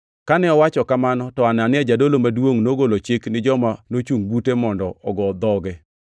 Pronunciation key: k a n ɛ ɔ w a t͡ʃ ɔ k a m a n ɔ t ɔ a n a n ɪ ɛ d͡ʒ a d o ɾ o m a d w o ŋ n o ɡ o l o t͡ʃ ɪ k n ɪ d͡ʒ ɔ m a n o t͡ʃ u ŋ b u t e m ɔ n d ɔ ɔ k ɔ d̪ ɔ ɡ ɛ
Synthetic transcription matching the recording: k a n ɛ ɔ w a t͡ʃ ɔ k a m a n ɔ t ɔ a n a n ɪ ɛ d͡ʒ a d o l o m a d w o ŋ n o ɡ o l o t͡ʃ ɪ k n ɪ d͡ʒ ɔ m a n o t͡ʃ u ŋ b u t e m ɔ n d ɔ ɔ ɡ ɔ d̪ ɔ ɡ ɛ